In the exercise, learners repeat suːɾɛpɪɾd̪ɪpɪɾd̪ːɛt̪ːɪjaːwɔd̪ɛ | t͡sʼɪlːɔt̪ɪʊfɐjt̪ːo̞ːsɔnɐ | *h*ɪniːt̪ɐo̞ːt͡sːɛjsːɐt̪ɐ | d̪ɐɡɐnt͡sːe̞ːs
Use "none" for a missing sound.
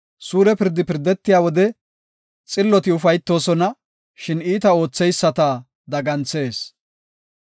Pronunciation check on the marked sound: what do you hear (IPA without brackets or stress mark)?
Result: ʃ